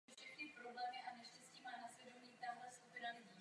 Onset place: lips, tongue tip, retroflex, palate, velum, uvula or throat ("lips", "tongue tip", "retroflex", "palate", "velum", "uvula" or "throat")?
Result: lips